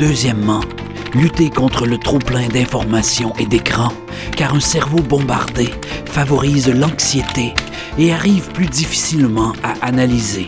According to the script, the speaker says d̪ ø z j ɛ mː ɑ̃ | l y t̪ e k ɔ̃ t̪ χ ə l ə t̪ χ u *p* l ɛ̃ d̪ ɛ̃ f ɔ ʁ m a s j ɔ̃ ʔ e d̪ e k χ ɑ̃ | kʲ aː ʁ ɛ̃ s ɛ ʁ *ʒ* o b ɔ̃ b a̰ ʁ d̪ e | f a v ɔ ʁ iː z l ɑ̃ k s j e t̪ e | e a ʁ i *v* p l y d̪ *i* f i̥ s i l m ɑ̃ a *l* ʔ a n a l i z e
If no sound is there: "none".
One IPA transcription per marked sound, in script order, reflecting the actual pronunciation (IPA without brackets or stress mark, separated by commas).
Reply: p, v, v, i, none